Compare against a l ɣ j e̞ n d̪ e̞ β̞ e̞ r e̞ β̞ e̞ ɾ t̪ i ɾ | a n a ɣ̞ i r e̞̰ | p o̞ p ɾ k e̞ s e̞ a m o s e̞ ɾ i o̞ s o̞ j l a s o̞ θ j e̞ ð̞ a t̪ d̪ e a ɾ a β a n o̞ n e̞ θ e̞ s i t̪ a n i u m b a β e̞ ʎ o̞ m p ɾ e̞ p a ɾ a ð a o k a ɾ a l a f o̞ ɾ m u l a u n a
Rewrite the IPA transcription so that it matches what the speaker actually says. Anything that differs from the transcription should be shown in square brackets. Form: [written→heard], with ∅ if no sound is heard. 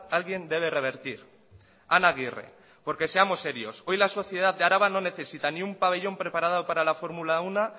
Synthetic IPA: a l ɣ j e̞ n d̪ e̞ β̞ e̞ r e̞ β̞ e̞ ɾ t̪ i ɾ | a n a ɣ̞ i r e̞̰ | p o̞ [p→∅] ɾ k e̞ s e̞ a m o s e̞ ɾ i o̞ s o̞ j l a s o̞ θ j e̞ ð̞ a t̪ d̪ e a ɾ a β a n o̞ n e̞ θ e̞ s i t̪ a n i u m [b→p] a β e̞ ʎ o̞ m p ɾ e̞ p a ɾ a ð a o [k→p] a ɾ a l a f o̞ ɾ m u l a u n a

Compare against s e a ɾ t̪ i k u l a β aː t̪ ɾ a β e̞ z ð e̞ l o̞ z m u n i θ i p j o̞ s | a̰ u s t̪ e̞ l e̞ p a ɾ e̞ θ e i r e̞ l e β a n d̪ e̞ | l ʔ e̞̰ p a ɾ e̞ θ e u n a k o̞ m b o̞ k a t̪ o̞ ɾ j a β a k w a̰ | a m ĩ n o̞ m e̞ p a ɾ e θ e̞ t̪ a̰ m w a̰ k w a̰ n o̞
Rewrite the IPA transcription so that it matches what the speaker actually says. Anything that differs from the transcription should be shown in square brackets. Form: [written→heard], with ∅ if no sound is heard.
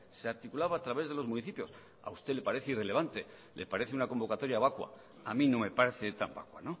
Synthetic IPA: s e a ɾ t̪ i k u l a β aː t̪ ɾ a β e̞ z ð e̞ l o̞ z m u n i θ i p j o̞ s | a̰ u s t̪ e̞ l e̞ p a ɾ e̞ θ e i r e̞ l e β a n [d̪→t̪] e̞ | l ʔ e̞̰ p a ɾ e̞ θ e u n a k o̞ m b o̞ k a t̪ o̞ ɾ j a β a k w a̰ | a m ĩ n o̞ m e̞ p a ɾ e θ e̞ t̪ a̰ m [w→b] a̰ k w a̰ n o̞

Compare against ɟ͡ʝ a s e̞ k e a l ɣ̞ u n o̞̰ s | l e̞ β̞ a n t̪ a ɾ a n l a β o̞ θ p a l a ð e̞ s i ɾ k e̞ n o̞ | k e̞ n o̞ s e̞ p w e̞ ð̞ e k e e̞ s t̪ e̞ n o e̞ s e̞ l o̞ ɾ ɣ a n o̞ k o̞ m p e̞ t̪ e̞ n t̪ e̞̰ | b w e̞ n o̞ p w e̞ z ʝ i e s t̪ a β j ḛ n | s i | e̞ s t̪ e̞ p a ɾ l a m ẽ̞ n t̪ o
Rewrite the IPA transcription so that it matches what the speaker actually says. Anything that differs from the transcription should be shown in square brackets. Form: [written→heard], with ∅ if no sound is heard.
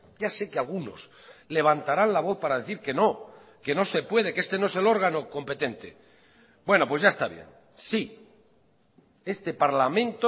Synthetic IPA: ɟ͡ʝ a s e̞ k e a l ɣ̞ u n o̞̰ s | l e̞ β̞ a n t̪ a ɾ a n l a β o̞ θ p a [l→ɾ] a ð e̞ [s→θ] i ɾ k e̞ n o̞ | k e̞ n o̞ s e̞ p w e̞ ð̞ e k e e̞ s t̪ e̞ n o e̞ s e̞ l o̞ ɾ ɣ a n o̞ k o̞ m p e̞ t̪ e̞ n t̪ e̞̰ | b w e̞ n o̞ p w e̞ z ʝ [i→a] e s t̪ a β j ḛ n | s i | e̞ s t̪ e̞ p a ɾ l a m ẽ̞ n t̪ o

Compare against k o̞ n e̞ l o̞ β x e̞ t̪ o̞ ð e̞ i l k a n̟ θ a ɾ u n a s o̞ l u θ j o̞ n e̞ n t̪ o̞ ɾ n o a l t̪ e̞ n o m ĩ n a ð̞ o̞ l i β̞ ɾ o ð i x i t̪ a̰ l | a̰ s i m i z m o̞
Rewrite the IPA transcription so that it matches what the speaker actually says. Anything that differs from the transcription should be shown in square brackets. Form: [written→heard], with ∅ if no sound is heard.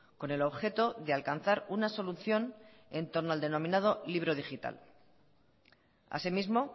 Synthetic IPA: k o̞ n e̞ l o̞ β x e̞ t̪ o̞ ð e̞ [i→a] l k a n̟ θ a ɾ u n a s o̞ l u θ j o̞ n e̞ n t̪ o̞ ɾ n o a l [t̪→d̪] e̞ n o m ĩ n a ð̞ o̞ l i β̞ ɾ o ð i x i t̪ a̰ l | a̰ s i m i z m o̞

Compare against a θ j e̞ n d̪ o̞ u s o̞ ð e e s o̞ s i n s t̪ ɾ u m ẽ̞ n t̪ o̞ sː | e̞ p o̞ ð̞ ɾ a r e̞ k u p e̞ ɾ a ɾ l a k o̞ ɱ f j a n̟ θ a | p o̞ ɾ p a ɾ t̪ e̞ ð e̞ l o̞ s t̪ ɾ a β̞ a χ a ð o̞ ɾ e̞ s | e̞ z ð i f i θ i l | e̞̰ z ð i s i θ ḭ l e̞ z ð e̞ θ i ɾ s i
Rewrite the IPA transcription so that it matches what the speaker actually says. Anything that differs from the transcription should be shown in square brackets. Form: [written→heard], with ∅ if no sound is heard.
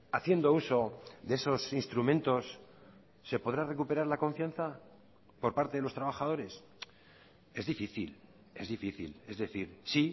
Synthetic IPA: a θ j e̞ n d̪ o̞ u s o̞ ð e e s o̞ s i n s t̪ ɾ u m ẽ̞ n t̪ o̞ sː | e̞ p o̞ ð̞ ɾ a r e̞ k u p e̞ ɾ a ɾ l a k o̞ ɱ f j a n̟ θ a | p o̞ ɾ p a ɾ t̪ e̞ ð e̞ l o̞ s t̪ ɾ a β̞ a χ a ð o̞ ɾ e̞ s | e̞ z ð i f i θ i l | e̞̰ z ð i [s→f] i θ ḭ l e̞ z ð e̞ θ i ɾ s i

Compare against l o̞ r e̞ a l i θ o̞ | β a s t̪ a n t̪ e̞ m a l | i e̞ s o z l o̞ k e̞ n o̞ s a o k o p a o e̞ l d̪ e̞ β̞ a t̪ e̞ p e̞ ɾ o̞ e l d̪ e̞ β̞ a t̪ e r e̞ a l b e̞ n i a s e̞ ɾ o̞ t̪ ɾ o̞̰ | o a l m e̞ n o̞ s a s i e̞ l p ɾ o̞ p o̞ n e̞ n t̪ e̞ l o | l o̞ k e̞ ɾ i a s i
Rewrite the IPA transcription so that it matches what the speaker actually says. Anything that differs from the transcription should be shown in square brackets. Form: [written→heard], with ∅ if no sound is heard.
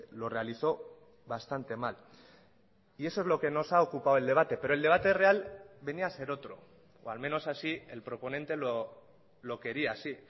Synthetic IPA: l o̞ r e̞ a l i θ o̞ | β a s t̪ a n t̪ e̞ m a l | i e̞ s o z l o̞ k e̞ n o̞ s a o k [o→u] p a o e̞ l d̪ e̞ β̞ a t̪ e̞ p e̞ ɾ o̞ e l d̪ e̞ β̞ a t̪ e r e̞ a l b e̞ n i a s e̞ ɾ o̞ t̪ ɾ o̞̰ | o a l m e̞ n o̞ s a s i e̞ l p ɾ o̞ p o̞ n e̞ n t̪ e̞ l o | l o̞ k e̞ ɾ i a s i

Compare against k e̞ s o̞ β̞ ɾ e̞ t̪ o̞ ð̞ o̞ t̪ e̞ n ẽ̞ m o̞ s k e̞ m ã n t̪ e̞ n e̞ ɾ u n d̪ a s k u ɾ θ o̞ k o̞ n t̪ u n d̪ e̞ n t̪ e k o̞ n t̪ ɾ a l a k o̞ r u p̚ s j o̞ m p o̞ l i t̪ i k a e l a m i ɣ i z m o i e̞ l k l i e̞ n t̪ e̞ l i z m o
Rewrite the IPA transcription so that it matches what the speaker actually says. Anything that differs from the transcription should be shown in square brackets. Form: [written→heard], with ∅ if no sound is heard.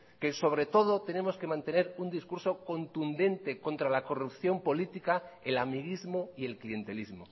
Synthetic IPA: k e̞ s o̞ β̞ ɾ e̞ t̪ o̞ ð̞ o̞ t̪ e̞ n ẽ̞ m o̞ s k e̞ m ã n t̪ e̞ n e̞ ɾ u n d̪ [a→i] s k u ɾ [θ→s] o̞ k o̞ n t̪ u n d̪ e̞ n t̪ e k o̞ n t̪ ɾ a l a k o̞ r u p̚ [s→θ] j o̞ m p o̞ l i t̪ i k a e l a m i ɣ i z m o i e̞ l k l i e̞ n t̪ e̞ l i z m o

